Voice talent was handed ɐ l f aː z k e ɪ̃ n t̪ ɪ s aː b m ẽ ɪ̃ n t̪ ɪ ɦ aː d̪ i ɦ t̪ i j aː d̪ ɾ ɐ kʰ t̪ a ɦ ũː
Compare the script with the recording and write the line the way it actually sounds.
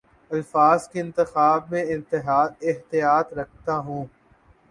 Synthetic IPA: ɐ l f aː z k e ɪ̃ n t̪ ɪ x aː b m ẽ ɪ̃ n t̪ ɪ ɦ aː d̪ ɪ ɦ t̪ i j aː t̪ ɾ ɐ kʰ t̪ a ɦ ũː